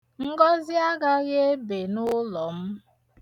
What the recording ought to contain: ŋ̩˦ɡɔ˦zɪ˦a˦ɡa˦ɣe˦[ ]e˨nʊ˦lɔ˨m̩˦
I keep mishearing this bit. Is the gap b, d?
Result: b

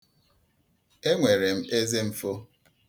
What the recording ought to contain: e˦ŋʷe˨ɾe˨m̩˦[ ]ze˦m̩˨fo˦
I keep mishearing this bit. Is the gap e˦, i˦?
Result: e˦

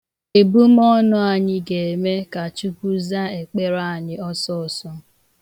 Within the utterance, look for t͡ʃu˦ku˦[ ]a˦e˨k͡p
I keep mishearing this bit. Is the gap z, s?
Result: z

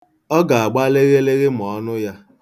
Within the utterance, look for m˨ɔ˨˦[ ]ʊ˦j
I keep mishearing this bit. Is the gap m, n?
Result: n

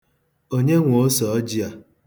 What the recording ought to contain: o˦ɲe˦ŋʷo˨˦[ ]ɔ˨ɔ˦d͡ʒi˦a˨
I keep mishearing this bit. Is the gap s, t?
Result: s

